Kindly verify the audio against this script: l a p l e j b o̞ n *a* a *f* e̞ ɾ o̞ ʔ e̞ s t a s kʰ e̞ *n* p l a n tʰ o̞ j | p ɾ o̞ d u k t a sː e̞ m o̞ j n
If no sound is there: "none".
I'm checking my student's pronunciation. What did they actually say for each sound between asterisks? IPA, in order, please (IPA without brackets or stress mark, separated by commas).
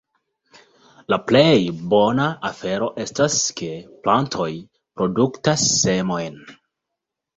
a, f, none